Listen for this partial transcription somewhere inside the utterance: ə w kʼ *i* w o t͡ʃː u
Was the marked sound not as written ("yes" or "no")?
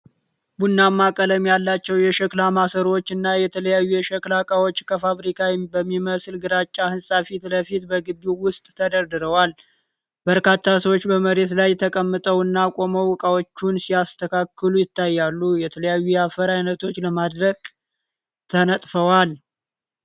yes